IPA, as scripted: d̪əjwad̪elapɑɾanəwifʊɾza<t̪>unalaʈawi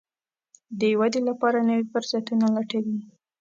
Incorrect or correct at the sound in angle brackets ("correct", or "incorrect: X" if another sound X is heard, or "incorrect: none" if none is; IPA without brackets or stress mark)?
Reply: correct